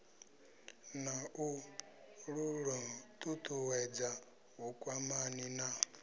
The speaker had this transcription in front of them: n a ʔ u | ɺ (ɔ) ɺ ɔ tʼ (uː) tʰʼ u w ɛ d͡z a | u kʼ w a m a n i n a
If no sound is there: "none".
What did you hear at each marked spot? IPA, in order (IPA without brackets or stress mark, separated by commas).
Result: u, u